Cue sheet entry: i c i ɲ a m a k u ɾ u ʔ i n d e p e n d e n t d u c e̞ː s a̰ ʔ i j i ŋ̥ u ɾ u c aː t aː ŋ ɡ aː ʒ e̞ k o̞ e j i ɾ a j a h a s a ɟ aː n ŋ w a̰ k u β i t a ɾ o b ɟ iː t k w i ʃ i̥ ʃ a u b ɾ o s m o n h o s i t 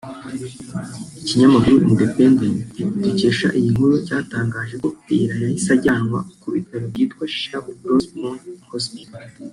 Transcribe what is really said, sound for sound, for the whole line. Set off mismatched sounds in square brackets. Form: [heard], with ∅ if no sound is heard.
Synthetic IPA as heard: i c i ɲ a m a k u ɾ u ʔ i n d e p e n d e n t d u c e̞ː [ʃ] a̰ ʔ i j i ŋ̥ u ɾ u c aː t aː ŋ ɡ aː ʒ e̞ k o̞ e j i ɾ a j a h [i] s a ɟ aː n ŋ w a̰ k u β i t a ɾ o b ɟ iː t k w [a] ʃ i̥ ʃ a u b ɾ o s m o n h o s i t